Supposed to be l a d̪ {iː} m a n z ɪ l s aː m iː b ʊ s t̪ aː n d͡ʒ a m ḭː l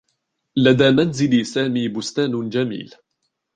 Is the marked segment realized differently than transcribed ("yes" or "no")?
yes